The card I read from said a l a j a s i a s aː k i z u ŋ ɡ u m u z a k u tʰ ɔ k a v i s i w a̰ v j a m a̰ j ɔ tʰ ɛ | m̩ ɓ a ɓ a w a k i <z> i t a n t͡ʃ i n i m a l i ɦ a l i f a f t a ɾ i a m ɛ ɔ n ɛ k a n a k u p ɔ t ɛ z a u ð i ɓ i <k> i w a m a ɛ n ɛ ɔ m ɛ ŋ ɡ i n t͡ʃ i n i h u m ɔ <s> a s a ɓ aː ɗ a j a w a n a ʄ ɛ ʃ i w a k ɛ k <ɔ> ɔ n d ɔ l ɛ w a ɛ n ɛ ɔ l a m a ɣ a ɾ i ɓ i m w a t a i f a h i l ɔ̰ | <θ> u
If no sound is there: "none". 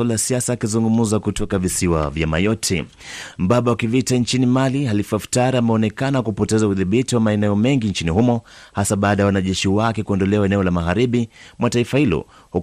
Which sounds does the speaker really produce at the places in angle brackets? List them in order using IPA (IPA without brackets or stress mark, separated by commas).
v, t, h, u, h